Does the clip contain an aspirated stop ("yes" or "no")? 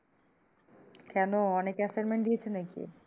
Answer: yes